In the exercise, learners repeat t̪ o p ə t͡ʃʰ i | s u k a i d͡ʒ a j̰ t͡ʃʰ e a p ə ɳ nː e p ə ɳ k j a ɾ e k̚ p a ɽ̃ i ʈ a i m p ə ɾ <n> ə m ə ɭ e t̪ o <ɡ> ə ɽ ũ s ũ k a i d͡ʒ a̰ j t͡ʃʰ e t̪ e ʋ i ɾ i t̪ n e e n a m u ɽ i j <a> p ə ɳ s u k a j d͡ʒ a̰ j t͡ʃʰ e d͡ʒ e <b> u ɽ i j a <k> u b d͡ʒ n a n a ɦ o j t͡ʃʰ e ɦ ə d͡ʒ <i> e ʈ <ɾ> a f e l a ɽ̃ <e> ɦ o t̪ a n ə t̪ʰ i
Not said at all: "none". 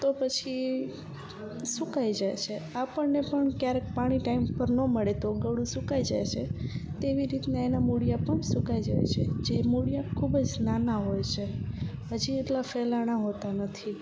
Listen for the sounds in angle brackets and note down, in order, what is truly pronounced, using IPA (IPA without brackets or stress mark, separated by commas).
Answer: n, ɡ, a, m, kʰ, i, l, a